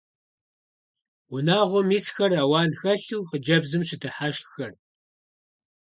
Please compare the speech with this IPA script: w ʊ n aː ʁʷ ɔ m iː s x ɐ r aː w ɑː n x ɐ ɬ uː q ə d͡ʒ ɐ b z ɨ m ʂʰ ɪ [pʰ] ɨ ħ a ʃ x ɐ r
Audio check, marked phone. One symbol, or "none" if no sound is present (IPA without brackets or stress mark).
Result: tʰ